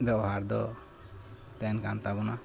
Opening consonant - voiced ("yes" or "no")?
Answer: yes